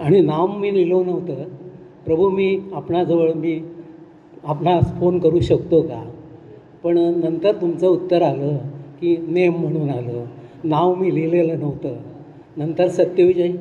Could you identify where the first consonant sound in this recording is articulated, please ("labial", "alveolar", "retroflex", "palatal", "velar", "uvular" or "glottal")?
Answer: retroflex